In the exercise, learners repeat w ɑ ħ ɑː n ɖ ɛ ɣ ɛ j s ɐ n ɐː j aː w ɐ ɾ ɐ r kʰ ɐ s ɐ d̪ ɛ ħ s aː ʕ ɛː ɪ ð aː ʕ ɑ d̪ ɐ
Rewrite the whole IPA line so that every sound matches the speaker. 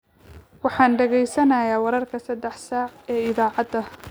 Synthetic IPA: w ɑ ħ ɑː n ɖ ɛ ɣ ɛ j s ɐ n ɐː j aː w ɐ ɾ ɐ r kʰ ɐ s ɐ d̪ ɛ ħ s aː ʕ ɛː ɪ ð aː ʕ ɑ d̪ ɐ